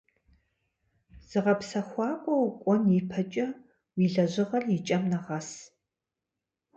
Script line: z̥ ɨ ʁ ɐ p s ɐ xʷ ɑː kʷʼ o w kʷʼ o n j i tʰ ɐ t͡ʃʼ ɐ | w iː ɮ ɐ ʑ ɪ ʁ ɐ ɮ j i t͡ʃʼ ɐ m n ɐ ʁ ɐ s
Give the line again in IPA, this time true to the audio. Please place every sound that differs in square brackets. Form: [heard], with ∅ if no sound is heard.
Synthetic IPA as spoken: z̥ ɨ ʁ ɐ p s ɐ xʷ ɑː kʷʼ [ɔ] w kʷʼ [ɔ] n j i [pʰ] ɐ t͡ʃʼ ɐ | w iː ɮ ɐ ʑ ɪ ʁ ɐ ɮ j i t͡ʃʼ ɐ m n ɐ ʁ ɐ s

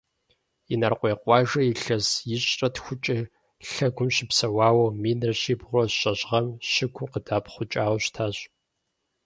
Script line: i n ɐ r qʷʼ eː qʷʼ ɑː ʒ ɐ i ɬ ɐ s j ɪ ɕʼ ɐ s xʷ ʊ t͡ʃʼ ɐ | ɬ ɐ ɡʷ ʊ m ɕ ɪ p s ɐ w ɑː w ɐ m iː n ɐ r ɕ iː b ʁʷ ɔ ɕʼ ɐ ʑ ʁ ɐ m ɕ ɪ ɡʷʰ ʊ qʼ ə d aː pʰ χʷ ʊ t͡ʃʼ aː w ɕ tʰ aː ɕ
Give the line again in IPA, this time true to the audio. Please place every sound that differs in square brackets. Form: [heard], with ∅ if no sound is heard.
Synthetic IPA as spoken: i n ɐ r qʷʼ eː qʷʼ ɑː ʒ ɐ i ɬ ɐ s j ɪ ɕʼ ɐ [t] xʷ ʊ t͡ʃʼ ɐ | ɬ ɐ ɡʷ ʊ m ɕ ɪ p s ɐ w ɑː w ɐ m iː n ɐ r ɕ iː b ʁʷ ɔ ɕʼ ɐ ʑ ʁ ɐ m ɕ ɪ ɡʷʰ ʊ [q] ə d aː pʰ χʷ ʊ t͡ʃʼ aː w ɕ tʰ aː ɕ

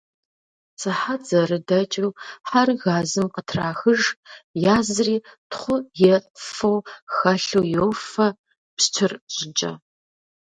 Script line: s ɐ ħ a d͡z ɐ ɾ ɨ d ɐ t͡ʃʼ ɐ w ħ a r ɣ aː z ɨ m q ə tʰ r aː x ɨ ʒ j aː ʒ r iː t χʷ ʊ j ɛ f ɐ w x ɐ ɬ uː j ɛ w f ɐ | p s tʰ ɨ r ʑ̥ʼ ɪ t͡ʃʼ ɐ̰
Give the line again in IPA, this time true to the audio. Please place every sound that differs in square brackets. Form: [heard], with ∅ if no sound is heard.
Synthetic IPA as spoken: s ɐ ħ a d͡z ɐ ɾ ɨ d ɐ t͡ʃʼ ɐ w ħ a r ɣ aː z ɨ m q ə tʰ r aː x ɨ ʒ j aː [z] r iː t χʷ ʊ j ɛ f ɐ w x ɐ ɬ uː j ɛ w f ɐ | p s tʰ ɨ r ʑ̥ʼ ɪ t͡ʃʼ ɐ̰

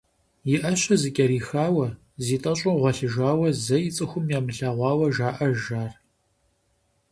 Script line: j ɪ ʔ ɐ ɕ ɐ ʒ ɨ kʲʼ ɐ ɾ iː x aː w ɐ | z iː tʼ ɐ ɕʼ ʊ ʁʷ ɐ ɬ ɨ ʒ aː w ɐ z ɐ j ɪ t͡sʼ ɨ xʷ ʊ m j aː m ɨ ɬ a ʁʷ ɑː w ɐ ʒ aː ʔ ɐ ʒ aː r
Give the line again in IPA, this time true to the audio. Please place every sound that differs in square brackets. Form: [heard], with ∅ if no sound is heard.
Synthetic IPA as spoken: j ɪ ʔ ɐ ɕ ɐ [z] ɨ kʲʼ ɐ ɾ iː x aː w ɐ | z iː tʼ ɐ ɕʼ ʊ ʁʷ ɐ ɬ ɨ ʒ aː w ɐ z ɐ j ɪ t͡sʼ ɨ xʷ ʊ m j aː m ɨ ɬ a ʁʷ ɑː w ɐ ʒ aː ʔ ɐ ʒ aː r

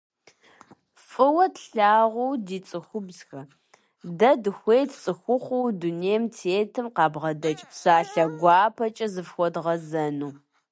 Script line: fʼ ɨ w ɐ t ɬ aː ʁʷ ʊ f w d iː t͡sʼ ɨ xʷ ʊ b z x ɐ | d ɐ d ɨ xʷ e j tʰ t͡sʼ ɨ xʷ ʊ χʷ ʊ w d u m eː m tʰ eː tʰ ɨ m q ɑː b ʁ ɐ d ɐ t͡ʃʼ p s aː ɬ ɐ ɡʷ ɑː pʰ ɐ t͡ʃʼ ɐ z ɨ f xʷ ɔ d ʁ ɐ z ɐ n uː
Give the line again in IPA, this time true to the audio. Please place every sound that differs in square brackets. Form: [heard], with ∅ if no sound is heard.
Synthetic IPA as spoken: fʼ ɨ w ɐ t ɬ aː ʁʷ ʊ [∅] w d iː t͡sʼ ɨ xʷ ʊ b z x ɐ | d ɐ d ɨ xʷ e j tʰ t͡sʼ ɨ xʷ ʊ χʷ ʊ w d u [n] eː m tʰ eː tʰ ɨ m q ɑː b ʁ ɐ d ɐ t͡ʃʼ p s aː ɬ ɐ ɡʷ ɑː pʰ ɐ t͡ʃʼ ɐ z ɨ f xʷ ɔ d ʁ ɐ z ɐ n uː

